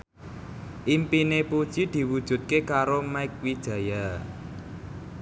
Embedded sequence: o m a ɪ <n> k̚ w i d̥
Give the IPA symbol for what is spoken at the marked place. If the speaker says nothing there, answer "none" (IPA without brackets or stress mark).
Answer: none